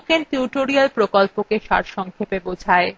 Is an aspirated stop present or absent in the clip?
present